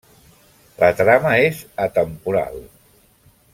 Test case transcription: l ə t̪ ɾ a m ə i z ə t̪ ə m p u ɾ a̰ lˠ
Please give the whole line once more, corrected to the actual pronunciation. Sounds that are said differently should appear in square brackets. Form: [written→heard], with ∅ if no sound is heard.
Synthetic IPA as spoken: l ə t̪ ɾ a m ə [i→e] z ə t̪ ə m p u ɾ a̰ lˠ

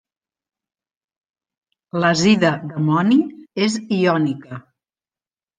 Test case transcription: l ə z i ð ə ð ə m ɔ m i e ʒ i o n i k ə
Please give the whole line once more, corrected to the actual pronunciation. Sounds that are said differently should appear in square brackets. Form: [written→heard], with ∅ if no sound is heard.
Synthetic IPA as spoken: l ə z i ð ə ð ə m ɔ [m→n] i e [ʒ→z] i [o→ɔ] n i k ə

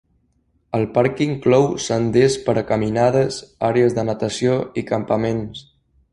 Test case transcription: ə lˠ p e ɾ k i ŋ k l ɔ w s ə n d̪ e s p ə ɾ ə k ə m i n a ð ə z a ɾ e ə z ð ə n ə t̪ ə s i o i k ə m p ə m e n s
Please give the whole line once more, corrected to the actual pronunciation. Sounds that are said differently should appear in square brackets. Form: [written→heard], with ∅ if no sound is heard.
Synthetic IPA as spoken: ə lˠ p [e→a] ɾ k i ŋ k l ɔ w s ə n d̪ e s p ə ɾ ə k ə m i n a ð ə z a ɾ e ə z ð ə n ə t̪ ə s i o i k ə m p ə m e n s

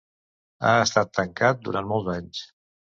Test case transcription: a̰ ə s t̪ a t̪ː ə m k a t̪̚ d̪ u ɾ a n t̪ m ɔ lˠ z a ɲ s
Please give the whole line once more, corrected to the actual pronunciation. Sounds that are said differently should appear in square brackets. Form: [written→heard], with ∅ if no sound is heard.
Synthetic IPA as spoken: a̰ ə s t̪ a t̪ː ə [m→ŋ] k a t̪̚ d̪ u ɾ a n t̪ m ɔ lˠ z a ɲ s

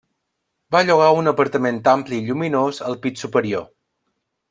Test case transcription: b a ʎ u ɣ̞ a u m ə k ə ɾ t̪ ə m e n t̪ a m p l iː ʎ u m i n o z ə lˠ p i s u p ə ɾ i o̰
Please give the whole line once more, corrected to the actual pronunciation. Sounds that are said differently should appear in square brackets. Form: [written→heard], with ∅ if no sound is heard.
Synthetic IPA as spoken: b a ʎ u ɣ̞ a u [m→n] ə [k→p] ə ɾ t̪ ə m e n t̪ a m p l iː ʎ u m i n o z ə lˠ p i s u p ə ɾ i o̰

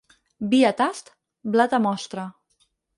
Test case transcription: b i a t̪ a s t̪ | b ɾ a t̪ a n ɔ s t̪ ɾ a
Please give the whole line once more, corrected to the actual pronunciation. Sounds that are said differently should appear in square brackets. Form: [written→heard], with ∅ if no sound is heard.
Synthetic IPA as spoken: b i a t̪ a s t̪ | b [ɾ→l] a t̪ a [n→m] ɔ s t̪ ɾ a

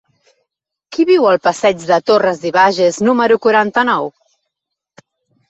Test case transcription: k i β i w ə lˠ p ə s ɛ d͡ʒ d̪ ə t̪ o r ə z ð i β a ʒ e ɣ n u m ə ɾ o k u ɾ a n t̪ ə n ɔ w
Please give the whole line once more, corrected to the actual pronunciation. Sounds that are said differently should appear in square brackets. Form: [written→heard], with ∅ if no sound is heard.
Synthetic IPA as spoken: k i β i w ə lˠ p ə s ɛ d͡ʒ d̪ ə t̪ o r ə z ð i β a ʒ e [ɣ→z] n u m ə ɾ [o→u] k u ɾ a n t̪ ə n ɔ w

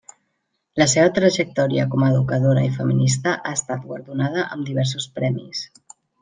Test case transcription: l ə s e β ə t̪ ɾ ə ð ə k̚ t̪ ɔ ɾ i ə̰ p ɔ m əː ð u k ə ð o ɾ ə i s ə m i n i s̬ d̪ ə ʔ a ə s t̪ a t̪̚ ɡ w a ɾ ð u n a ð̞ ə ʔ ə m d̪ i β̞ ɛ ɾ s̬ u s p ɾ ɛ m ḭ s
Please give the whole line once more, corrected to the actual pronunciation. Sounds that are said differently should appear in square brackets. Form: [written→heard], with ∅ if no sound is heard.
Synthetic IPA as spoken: l ə s e β ə t̪ ɾ ə [ð→ʒ] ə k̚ t̪ ɔ ɾ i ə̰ [p→k] ɔ m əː ð u k ə ð o ɾ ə i [s→f] ə m i n i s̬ [d̪→t̪] ə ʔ a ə s t̪ a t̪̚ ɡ w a ɾ ð u n a ð̞ ə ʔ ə m d̪ i β̞ ɛ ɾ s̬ u s p ɾ ɛ m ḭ s

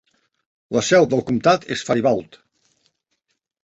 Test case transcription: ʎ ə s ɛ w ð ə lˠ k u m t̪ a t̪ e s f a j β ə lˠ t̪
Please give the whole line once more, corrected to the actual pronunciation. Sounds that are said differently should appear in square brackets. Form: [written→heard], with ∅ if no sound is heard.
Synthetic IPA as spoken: [ʎ→l] ə s ɛ w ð ə lˠ k u m t̪ a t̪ e s f a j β [ə→a] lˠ t̪

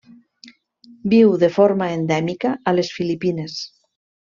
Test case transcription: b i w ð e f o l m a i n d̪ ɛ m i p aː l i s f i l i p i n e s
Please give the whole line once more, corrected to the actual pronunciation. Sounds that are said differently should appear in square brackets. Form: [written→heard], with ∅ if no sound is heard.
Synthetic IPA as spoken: b i w ð e f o [l→ɾ] m a [i→e] n d̪ ɛ m i [p→k] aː l [i→e] s f i l i p i n e s

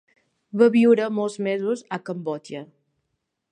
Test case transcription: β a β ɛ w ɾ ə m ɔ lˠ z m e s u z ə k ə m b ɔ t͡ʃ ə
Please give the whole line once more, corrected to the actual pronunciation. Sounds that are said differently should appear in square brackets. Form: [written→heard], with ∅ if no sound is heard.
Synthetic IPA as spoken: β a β [ɛ→i] w ɾ ə m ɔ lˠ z m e [s→z] u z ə k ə m b ɔ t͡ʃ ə

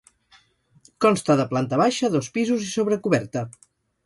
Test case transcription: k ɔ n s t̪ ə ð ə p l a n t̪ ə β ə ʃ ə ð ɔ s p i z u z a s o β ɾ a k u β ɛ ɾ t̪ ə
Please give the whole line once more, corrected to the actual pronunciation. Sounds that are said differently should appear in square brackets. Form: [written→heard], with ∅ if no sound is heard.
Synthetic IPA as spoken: k ɔ n s t̪ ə ð ə p l a n t̪ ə β [ə→a] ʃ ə ð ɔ s p i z u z [a→i] s o β ɾ [a→ə] k u β ɛ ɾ t̪ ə

